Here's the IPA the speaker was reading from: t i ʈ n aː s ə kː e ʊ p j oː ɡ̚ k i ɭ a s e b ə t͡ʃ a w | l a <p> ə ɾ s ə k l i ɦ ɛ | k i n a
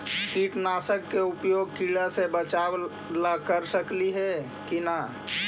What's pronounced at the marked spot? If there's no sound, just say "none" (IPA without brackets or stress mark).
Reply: k